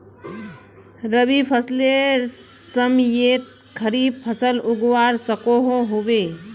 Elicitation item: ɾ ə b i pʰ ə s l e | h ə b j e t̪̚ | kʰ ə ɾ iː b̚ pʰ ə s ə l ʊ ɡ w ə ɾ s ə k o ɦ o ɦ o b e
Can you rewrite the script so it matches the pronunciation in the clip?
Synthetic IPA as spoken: ɾ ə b i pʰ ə s l e | s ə m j e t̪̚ | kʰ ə ɾ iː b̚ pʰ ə s ə l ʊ ɡ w a ɾ s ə k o ɦ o ɦ o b e